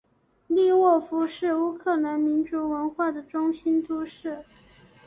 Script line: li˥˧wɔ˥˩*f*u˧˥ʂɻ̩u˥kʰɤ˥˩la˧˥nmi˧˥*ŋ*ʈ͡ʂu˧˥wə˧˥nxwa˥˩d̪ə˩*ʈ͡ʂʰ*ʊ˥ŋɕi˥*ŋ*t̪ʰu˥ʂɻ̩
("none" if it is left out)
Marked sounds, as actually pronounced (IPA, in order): f, n, ʈ͡ʂ, n

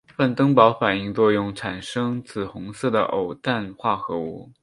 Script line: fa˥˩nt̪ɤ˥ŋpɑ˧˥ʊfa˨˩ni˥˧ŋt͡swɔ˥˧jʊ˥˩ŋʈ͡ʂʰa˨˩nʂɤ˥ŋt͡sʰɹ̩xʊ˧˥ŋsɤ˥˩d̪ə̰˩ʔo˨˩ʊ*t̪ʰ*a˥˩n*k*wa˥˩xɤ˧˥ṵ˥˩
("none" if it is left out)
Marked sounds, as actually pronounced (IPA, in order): t̪, x

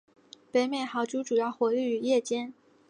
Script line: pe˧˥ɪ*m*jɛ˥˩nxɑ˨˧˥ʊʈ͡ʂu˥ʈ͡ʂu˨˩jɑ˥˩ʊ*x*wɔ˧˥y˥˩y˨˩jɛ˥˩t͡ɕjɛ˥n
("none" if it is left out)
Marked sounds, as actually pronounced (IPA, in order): m, x

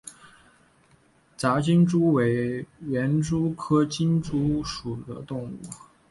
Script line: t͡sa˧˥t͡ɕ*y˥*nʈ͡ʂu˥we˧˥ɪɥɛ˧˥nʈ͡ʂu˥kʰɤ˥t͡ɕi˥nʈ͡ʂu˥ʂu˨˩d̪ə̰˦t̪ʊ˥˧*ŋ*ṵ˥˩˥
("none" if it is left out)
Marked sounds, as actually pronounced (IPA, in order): i˥, ŋ

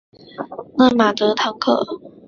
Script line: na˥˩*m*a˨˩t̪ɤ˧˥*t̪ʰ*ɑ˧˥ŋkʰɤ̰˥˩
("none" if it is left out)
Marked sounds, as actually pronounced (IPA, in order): m, t̪ʰ

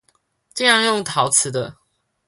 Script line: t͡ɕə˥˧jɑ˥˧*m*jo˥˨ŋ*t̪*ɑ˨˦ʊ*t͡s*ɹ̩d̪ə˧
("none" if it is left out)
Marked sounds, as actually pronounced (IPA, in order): ŋ, t̪ʰ, t͡sʰ

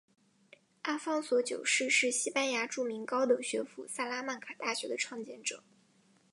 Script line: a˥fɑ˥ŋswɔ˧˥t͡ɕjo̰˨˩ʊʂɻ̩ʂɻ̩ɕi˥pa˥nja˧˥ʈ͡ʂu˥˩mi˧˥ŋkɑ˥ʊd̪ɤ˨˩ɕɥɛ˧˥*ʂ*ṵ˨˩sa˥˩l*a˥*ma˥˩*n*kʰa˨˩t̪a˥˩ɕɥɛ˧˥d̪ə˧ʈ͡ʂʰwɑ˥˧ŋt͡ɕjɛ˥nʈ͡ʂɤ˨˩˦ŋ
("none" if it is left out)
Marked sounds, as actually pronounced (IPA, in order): f, a˥, n

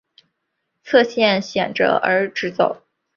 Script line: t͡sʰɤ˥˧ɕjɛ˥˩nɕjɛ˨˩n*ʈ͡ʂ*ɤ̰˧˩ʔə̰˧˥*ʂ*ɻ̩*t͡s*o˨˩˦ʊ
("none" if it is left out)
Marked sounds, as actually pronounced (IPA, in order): ʈ͡ʂ, ʈ͡ʂ, t͡s

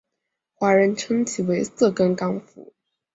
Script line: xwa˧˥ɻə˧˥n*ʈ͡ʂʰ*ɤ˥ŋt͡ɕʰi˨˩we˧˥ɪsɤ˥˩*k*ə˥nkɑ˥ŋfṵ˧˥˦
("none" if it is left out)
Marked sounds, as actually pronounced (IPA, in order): ʈ͡ʂʰ, k

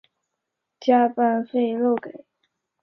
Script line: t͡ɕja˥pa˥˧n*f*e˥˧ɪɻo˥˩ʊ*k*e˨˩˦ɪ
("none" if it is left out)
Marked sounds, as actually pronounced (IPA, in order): f, k

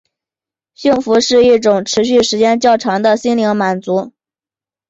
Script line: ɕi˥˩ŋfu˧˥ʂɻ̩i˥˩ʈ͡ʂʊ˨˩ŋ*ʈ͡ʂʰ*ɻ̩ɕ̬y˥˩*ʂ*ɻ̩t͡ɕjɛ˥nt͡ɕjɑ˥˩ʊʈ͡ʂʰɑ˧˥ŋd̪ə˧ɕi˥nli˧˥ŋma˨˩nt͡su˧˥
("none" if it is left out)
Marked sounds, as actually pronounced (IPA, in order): ʈ͡ʂʰ, ʂ

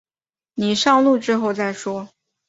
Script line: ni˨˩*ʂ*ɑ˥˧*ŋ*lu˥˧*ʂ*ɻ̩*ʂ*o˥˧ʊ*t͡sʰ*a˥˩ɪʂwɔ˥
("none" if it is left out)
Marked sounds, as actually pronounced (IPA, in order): ʂ, ŋ, ʈ͡ʂ, x, t͡s

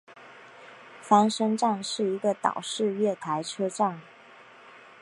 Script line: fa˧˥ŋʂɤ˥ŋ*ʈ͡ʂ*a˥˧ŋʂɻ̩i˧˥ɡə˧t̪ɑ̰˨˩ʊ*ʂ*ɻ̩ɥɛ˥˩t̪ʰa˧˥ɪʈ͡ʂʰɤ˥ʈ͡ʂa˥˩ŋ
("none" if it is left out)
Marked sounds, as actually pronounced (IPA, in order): ʈ͡ʂ, ʂ

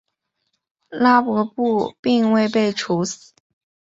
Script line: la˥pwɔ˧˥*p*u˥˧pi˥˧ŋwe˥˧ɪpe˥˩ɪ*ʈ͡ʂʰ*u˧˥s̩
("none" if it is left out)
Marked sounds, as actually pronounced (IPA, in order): p, ʈ͡ʂʰ

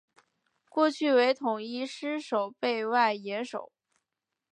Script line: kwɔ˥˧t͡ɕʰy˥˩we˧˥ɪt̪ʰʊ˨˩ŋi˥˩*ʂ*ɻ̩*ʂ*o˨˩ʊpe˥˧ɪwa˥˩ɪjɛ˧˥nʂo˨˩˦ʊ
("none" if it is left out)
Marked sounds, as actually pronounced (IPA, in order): ʂ, ʂ

